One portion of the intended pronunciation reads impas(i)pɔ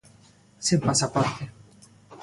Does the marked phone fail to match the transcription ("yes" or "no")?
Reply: yes